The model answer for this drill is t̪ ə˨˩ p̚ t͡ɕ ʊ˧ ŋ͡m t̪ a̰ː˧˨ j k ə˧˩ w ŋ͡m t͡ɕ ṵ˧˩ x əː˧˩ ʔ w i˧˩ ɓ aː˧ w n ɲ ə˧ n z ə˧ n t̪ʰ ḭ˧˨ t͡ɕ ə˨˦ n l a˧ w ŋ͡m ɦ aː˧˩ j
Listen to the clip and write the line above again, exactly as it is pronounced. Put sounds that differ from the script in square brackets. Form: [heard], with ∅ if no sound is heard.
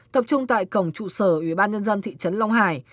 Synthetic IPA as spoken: t̪ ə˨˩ p̚ t͡ɕ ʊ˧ ŋ͡m t̪ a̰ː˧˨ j k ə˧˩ w ŋ͡m t͡ɕ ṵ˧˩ [s] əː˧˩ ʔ w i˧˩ ɓ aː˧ [∅] n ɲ ə˧ n z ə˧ n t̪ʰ ḭ˧˨ t͡ɕ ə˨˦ n l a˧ w ŋ͡m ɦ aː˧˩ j